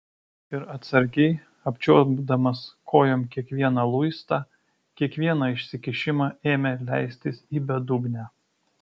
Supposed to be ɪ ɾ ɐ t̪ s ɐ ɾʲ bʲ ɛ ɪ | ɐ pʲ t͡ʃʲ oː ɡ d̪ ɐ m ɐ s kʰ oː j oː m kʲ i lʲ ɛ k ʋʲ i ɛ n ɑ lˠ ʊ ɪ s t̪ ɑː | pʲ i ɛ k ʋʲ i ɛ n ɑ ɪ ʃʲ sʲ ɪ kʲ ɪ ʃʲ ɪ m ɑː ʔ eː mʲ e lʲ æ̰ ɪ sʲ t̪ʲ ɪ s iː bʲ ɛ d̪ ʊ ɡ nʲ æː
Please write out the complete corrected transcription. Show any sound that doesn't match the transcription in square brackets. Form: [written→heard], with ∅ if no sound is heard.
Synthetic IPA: ɪ ɾ ɐ t̪ s ɐ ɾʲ [bʲ→ɡʲ] ɛ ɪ | ɐ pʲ t͡ʃʲ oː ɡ d̪ ɐ m ɐ s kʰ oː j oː m kʲ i [lʲ→∅] ɛ k ʋʲ i ɛ n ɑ lˠ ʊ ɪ s t̪ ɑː | [pʲ→kʲ] i ɛ k ʋʲ i ɛ n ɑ ɪ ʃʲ sʲ ɪ kʲ ɪ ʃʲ ɪ m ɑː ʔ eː mʲ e lʲ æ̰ ɪ sʲ t̪ʲ ɪ s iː bʲ ɛ d̪ ʊ ɡ nʲ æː

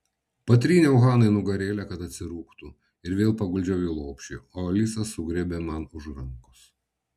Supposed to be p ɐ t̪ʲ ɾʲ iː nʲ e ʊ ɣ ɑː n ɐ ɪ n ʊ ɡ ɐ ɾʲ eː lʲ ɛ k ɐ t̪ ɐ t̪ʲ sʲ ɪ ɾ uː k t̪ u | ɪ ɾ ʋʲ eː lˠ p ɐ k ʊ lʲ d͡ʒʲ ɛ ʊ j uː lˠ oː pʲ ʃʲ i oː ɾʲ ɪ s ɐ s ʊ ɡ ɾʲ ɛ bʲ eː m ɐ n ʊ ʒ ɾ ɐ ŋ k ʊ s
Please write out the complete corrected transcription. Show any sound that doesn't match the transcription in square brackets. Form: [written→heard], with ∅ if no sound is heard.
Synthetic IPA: p ɐ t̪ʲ ɾʲ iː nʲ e ʊ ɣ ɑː n ɐ ɪ n ʊ ɡ ɐ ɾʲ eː lʲ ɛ k ɐ t̪ ɐ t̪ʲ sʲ ɪ ɾ uː k t̪ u | ɪ ɾ ʋʲ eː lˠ p ɐ [k→ɡ] ʊ lʲ d͡ʒʲ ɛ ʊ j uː lˠ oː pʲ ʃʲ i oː [ɾʲ→lʲ] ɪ s ɐ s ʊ ɡ ɾʲ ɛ bʲ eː m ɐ n ʊ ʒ ɾ ɐ ŋ k ʊ s

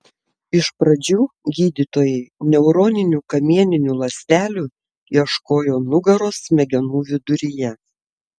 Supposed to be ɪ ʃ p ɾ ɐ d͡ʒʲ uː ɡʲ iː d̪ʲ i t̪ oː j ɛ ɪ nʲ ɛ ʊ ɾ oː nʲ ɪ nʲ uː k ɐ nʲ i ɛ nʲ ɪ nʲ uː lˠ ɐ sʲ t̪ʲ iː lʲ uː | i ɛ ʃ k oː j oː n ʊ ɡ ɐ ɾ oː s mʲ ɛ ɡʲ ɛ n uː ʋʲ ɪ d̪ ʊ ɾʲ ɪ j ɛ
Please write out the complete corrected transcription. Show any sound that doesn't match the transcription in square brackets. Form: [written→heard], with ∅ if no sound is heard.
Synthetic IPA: ɪ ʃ p ɾ ɐ d͡ʒʲ uː ɡʲ iː d̪ʲ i t̪ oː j ɛ ɪ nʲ ɛ ʊ ɾ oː nʲ ɪ nʲ uː k ɐ [nʲ→mʲ] i ɛ nʲ ɪ nʲ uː lˠ ɐ sʲ t̪ʲ [iː→æː] lʲ uː | i ɛ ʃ k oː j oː n ʊ ɡ ɐ ɾ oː s mʲ ɛ ɡʲ ɛ n uː ʋʲ ɪ d̪ ʊ ɾʲ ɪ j ɛ

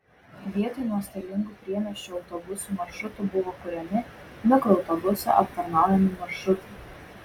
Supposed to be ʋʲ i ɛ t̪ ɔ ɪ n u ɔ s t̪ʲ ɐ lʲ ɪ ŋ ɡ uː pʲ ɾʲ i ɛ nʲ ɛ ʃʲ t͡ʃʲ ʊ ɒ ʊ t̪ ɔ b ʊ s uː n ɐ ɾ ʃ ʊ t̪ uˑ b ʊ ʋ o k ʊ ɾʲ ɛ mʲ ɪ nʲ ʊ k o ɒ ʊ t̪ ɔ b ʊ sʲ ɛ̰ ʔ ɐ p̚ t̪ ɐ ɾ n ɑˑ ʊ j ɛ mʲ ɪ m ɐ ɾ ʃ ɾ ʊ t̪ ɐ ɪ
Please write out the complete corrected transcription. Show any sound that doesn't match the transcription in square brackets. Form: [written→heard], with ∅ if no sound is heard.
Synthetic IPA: ʋʲ i ɛ t̪ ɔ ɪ n u ɔ s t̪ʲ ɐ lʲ ɪ ŋ ɡ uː pʲ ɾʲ i ɛ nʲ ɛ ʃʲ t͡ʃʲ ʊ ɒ ʊ t̪ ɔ b ʊ s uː [n→m] ɐ ɾ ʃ ʊ t̪ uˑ b ʊ ʋ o k ʊ ɾʲ ɛ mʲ ɪ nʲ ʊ k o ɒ ʊ t̪ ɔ b ʊ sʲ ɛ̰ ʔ ɐ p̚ t̪ ɐ ɾ n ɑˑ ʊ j ɛ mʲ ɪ m ɐ ɾ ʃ ɾ ʊ t̪ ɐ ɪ

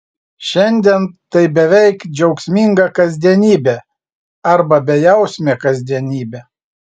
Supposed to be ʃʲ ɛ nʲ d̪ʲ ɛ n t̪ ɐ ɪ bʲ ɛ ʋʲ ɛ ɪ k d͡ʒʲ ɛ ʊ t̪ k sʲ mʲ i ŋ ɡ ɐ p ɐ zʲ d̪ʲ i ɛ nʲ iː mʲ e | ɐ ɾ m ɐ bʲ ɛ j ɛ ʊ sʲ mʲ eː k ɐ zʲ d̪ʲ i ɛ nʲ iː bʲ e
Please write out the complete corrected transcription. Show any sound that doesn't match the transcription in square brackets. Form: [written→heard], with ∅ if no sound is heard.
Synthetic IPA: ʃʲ ɛ nʲ d̪ʲ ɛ n t̪ ɐ ɪ bʲ ɛ ʋʲ ɛ ɪ k d͡ʒʲ ɛ ʊ [t̪→∅] k sʲ mʲ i ŋ ɡ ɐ [p→k] ɐ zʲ d̪ʲ i ɛ nʲ iː [mʲ→bʲ] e | ɐ ɾ [m→b] ɐ bʲ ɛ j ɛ ʊ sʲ mʲ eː k ɐ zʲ d̪ʲ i ɛ nʲ iː bʲ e

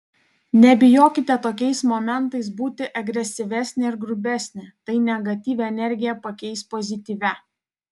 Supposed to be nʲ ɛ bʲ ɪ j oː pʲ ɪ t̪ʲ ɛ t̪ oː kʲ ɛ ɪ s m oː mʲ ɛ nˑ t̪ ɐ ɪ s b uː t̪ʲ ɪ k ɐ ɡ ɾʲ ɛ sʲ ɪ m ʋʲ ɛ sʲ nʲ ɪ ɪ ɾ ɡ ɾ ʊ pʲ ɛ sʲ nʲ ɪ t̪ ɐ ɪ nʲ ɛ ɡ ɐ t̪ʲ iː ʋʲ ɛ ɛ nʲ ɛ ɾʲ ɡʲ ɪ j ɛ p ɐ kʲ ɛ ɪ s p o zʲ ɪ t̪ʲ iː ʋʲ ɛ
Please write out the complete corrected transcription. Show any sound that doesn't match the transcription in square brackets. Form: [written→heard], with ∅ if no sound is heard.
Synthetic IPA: nʲ ɛ bʲ ɪ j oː [pʲ→kʲ] ɪ t̪ʲ ɛ t̪ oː kʲ ɛ ɪ s m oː mʲ ɛ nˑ t̪ ɐ ɪ s b uː t̪ʲ ɪ [k→ʔ] ɐ ɡ ɾʲ ɛ sʲ ɪ [m→∅] ʋʲ ɛ sʲ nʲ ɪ ɪ ɾ ɡ ɾ ʊ [pʲ→bʲ] ɛ sʲ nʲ ɪ t̪ ɐ ɪ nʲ ɛ ɡ ɐ t̪ʲ iː ʋʲ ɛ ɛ nʲ ɛ ɾʲ ɡʲ ɪ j ɛ p ɐ kʲ ɛ ɪ s p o zʲ ɪ t̪ʲ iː ʋʲ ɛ

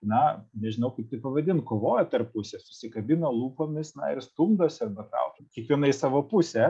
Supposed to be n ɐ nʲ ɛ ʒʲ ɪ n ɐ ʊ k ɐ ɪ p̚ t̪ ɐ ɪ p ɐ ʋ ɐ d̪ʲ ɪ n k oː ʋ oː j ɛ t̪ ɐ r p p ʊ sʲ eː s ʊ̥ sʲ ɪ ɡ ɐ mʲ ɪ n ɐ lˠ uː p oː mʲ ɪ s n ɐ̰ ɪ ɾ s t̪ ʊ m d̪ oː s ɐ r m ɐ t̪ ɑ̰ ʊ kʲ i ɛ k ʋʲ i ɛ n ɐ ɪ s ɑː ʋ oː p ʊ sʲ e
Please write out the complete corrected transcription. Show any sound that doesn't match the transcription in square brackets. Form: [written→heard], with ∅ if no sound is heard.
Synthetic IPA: n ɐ nʲ ɛ ʒʲ ɪ n ɐ ʊ k ɐ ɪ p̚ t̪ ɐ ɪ p ɐ ʋ ɐ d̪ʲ ɪ n k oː ʋ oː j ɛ t̪ ɐ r p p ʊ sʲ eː s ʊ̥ sʲ ɪ [ɡ→k] ɐ [mʲ→bʲ] ɪ n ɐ lˠ uː p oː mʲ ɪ s n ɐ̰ ɪ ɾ s t̪ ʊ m d̪ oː s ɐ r [m→b] ɐ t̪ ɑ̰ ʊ kʲ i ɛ k ʋʲ i ɛ n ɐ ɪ s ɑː ʋ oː p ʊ sʲ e

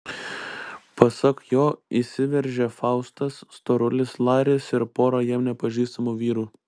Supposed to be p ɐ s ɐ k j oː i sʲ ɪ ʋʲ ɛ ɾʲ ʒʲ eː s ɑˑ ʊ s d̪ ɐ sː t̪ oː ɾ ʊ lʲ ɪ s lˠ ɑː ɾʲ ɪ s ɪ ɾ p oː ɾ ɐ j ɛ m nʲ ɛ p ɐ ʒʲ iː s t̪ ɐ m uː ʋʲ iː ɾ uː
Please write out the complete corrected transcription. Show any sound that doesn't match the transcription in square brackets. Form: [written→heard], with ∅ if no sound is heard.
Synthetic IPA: p ɐ s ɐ k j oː i sʲ ɪ ʋʲ ɛ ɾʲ ʒʲ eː [s→f] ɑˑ ʊ s [d̪→t̪] ɐ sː t̪ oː ɾ ʊ lʲ ɪ s lˠ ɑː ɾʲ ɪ s ɪ ɾ p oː ɾ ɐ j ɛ m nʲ ɛ p ɐ ʒʲ iː s t̪ ɐ m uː ʋʲ iː ɾ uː

